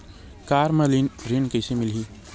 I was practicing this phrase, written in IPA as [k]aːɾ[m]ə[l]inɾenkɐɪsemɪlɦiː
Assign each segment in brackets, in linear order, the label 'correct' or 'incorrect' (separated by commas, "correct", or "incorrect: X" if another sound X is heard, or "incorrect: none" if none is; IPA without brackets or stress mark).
correct, correct, correct